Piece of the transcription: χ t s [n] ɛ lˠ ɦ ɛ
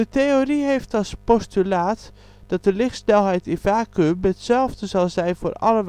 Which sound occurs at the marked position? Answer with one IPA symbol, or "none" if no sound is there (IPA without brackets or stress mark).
n